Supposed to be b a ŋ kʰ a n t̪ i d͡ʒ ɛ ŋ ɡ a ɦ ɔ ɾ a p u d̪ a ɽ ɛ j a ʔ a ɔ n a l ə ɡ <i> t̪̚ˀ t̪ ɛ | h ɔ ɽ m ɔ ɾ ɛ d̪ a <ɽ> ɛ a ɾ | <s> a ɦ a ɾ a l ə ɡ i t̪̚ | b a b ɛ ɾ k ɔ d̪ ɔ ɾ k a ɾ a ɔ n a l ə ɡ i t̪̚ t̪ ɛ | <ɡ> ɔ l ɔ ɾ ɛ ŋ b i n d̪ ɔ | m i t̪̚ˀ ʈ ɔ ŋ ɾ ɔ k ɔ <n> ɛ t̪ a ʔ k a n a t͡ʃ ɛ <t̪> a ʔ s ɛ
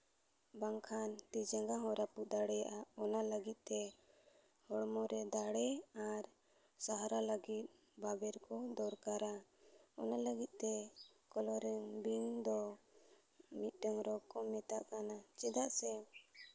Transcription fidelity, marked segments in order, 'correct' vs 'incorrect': correct, correct, correct, incorrect: k, incorrect: m, incorrect: d̪

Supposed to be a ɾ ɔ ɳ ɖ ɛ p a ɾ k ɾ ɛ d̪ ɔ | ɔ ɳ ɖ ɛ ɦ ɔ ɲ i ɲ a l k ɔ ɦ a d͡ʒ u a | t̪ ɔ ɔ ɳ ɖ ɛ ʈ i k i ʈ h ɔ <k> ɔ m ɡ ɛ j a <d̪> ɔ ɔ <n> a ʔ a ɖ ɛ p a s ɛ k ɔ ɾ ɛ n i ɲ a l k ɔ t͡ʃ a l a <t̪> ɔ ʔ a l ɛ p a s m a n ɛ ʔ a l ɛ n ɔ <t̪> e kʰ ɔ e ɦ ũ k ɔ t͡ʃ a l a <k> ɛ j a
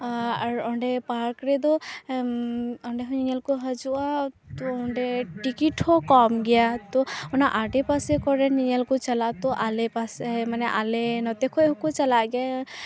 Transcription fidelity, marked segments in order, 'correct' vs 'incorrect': correct, incorrect: t̪, correct, correct, correct, incorrect: ɡ

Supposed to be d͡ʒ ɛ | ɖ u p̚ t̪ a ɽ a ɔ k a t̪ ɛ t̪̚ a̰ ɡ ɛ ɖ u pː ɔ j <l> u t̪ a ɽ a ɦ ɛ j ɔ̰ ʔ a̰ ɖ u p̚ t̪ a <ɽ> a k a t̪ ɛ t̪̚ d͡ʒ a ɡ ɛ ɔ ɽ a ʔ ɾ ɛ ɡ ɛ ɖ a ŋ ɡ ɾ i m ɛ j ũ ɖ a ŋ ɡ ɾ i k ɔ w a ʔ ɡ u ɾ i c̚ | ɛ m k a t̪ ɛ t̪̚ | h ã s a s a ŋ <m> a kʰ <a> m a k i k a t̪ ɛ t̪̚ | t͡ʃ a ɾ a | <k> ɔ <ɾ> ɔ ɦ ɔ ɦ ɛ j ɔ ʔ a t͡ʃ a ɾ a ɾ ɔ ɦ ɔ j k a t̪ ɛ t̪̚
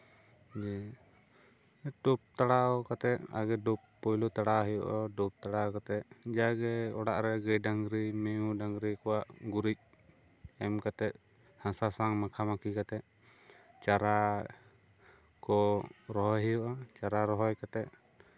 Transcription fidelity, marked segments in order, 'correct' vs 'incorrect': correct, correct, correct, correct, correct, correct

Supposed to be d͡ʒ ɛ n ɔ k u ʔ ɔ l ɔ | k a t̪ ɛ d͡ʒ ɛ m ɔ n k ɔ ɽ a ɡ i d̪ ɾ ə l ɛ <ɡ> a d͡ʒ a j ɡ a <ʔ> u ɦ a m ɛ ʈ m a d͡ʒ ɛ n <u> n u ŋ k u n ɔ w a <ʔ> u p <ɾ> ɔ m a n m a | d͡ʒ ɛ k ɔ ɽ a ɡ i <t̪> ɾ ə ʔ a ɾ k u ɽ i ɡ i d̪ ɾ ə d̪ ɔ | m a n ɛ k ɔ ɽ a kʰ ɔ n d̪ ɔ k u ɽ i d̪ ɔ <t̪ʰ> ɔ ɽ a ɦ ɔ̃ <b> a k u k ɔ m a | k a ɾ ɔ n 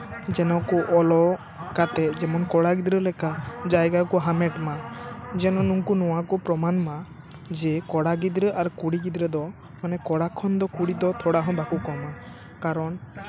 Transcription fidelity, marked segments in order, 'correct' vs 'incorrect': incorrect: k, incorrect: k, incorrect: ɔ, incorrect: k, correct, incorrect: d̪, correct, correct

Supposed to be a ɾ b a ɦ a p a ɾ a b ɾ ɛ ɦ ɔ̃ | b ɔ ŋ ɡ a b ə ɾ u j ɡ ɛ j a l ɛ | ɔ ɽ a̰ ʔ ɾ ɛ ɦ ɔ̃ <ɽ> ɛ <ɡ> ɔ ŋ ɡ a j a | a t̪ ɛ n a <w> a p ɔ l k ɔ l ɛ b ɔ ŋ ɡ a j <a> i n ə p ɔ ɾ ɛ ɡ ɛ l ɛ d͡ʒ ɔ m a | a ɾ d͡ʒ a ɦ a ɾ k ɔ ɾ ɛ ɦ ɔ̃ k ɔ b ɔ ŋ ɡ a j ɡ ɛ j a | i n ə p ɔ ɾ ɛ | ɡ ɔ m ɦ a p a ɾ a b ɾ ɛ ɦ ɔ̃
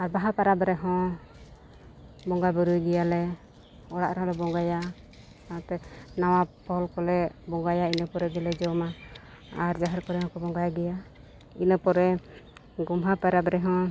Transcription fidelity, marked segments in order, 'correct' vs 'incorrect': incorrect: l, incorrect: b, correct, correct

